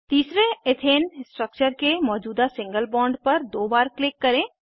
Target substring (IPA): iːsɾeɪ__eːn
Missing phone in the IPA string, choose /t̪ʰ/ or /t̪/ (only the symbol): t̪ʰ